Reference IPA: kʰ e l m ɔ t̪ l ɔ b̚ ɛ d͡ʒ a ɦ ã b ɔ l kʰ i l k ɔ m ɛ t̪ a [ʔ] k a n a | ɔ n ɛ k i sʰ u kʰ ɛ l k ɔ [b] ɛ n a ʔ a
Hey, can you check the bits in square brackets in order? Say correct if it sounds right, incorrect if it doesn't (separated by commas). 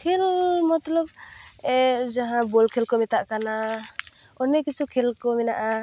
correct, incorrect